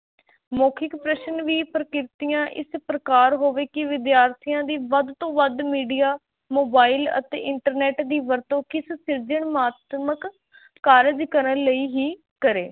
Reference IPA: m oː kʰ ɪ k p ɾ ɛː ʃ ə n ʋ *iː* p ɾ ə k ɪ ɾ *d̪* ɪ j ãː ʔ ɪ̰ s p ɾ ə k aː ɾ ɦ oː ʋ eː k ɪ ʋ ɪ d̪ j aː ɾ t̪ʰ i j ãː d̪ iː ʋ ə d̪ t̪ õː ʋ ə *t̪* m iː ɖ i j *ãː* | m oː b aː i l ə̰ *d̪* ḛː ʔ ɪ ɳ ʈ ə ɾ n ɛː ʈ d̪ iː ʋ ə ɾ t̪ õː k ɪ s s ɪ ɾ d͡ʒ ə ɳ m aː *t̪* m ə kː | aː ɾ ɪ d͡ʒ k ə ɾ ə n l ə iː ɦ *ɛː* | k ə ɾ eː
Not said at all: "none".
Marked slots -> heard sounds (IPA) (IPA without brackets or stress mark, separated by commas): iː, t̪, d̪, aː, t̪, t̪, iː